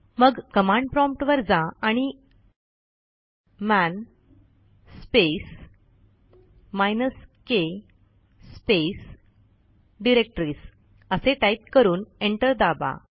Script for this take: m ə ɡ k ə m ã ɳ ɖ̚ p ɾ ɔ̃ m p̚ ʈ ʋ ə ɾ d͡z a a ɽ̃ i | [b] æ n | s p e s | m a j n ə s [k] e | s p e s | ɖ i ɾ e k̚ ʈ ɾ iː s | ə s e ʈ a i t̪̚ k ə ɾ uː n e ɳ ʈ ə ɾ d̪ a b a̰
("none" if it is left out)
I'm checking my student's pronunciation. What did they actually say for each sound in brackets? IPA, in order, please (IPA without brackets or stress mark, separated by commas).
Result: m, k